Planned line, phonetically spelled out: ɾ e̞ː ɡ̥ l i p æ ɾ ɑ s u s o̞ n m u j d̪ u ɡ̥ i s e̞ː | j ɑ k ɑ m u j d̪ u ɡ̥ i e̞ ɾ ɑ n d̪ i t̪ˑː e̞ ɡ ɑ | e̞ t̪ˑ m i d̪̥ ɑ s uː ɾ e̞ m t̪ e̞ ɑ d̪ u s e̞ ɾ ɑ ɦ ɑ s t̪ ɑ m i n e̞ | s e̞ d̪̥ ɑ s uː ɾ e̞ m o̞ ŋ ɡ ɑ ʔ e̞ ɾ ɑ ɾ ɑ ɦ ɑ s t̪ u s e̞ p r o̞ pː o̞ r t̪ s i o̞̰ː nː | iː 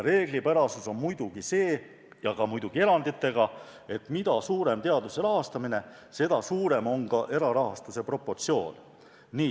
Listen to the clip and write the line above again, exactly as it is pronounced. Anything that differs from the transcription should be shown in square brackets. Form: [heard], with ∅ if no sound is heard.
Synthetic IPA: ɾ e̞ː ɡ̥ l i p æ ɾ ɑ s u s o̞ n m u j d̪ u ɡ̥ i s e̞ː | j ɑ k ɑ m u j d̪ u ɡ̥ i e̞ ɾ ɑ n d̪ i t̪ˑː e̞ ɡ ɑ | e̞ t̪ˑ m i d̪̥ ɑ s uː ɾ e̞ m t̪ e̞ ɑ d̪ u s e̞ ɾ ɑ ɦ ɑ s t̪ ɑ m i n e̞ | s e̞ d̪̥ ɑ s uː ɾ e̞ m o̞ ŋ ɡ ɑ ʔ e̞ ɾ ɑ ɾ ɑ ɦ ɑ s t̪ u s e̞ p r o̞ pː o̞ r t̪ s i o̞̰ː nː | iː